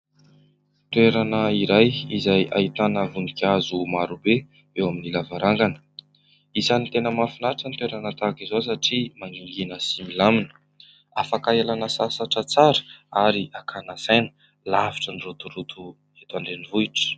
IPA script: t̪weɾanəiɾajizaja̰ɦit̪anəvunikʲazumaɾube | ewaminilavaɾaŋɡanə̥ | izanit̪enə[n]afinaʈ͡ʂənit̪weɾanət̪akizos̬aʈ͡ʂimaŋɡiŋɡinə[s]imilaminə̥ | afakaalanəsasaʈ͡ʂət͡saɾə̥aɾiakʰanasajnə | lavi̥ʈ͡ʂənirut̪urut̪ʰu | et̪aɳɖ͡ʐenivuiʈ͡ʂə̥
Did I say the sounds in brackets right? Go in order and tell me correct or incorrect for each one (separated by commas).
incorrect, correct